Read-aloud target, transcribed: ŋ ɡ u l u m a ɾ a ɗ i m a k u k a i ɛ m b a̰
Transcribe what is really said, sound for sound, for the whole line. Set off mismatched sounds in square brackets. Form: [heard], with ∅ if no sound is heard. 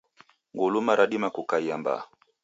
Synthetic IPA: ŋ ɡ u l u m a ɾ a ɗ i m a k u k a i [a] m b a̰